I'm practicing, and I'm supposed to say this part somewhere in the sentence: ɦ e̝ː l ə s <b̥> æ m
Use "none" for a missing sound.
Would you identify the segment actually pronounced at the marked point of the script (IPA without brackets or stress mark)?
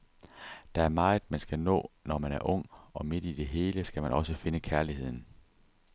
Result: ɡ̥